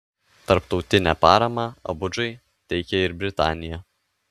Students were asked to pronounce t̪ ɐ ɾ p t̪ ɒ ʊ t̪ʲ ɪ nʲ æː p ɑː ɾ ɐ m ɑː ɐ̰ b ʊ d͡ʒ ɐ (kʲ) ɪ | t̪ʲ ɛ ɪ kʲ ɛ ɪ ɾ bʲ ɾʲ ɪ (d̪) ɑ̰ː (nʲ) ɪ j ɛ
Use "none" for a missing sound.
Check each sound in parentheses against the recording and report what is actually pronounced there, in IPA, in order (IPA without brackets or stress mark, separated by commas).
none, t̪, nʲ